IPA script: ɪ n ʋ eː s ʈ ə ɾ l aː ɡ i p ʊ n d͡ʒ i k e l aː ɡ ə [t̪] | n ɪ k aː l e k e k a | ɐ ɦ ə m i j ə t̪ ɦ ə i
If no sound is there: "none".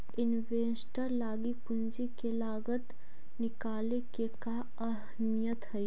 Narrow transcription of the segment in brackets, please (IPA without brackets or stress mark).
t̪